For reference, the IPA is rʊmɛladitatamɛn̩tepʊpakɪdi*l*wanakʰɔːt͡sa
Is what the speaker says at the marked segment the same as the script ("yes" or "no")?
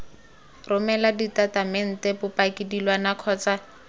yes